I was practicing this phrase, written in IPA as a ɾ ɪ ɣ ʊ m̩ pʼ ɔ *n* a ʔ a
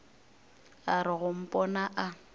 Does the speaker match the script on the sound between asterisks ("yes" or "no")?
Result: yes